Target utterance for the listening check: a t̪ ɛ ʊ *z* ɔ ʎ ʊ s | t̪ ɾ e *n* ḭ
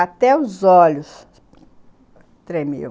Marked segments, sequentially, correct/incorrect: correct, incorrect: m

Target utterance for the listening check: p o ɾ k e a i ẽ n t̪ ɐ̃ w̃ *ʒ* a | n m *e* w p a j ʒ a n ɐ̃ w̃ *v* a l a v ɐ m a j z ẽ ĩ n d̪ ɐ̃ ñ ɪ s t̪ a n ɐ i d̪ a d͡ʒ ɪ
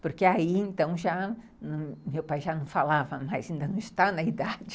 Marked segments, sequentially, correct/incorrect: correct, correct, incorrect: f

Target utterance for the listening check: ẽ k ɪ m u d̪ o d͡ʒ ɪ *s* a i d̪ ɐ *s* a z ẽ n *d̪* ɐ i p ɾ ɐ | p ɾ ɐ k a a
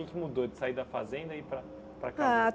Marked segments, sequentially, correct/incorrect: correct, incorrect: f, correct

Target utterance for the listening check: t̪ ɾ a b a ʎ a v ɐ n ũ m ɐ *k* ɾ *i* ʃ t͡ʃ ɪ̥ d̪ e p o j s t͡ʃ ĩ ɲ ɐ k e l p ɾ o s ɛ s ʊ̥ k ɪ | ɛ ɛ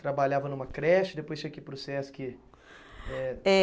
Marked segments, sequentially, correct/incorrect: correct, incorrect: ɛ

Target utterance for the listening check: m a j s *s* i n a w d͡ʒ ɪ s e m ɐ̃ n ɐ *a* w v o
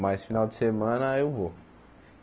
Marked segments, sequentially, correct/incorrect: incorrect: f, incorrect: e

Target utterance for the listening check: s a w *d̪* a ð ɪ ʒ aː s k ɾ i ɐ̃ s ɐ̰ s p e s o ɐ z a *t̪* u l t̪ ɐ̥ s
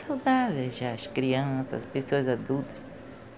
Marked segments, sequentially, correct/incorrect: correct, incorrect: d̪

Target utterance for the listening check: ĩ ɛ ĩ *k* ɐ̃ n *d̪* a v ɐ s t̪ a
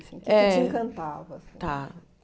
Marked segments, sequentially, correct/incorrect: correct, incorrect: t̪

